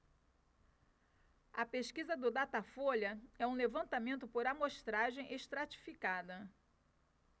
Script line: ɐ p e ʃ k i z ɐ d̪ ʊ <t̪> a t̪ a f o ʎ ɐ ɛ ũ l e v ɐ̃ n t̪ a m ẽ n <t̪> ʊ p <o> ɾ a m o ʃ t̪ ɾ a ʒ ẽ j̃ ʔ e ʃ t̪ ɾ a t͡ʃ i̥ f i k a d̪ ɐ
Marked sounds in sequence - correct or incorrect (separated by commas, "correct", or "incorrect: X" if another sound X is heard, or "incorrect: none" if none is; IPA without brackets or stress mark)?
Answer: incorrect: d̪, correct, correct